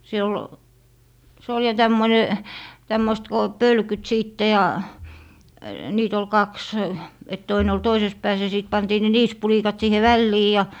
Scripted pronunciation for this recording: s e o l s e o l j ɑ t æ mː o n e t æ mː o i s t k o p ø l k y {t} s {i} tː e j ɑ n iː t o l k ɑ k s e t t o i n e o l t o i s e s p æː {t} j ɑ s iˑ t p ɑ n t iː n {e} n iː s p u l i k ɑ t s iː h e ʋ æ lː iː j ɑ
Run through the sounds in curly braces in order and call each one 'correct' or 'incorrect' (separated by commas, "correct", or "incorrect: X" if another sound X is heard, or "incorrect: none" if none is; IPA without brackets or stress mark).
correct, incorrect: iː, incorrect: s, correct